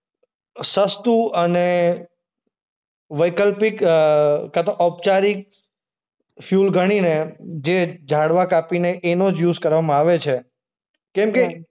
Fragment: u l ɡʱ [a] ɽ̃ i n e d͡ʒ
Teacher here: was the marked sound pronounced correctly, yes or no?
no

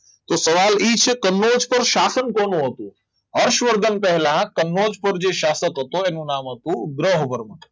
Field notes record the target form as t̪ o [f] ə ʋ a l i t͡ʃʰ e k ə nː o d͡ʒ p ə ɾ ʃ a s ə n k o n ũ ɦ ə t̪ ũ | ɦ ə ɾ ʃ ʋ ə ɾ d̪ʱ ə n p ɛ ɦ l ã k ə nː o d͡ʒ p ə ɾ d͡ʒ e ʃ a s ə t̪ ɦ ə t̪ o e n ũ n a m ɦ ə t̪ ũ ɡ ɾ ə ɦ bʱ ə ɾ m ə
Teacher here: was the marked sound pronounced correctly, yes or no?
no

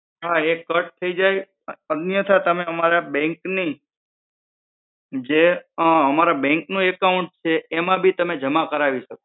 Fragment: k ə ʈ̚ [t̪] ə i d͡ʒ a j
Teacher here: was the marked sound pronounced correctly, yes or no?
no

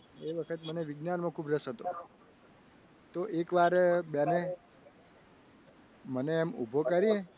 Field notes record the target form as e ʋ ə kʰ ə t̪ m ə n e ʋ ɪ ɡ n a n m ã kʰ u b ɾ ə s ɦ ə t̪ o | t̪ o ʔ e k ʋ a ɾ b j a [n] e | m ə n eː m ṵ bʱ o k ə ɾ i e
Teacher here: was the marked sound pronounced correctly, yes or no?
yes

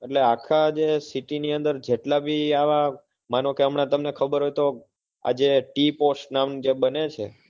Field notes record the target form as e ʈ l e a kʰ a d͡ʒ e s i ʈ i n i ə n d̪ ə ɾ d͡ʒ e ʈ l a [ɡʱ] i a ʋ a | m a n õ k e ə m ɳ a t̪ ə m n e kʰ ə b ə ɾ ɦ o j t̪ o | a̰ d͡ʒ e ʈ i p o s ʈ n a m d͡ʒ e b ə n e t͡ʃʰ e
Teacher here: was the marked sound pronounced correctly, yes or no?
no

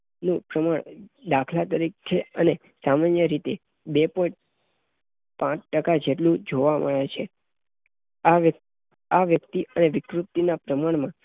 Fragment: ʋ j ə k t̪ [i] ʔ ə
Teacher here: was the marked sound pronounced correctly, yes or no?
yes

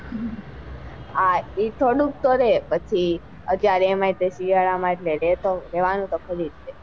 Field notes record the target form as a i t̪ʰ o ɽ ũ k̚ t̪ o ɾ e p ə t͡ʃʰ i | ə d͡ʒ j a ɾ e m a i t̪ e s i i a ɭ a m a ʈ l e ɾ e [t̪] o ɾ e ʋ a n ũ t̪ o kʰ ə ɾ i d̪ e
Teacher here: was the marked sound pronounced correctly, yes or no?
yes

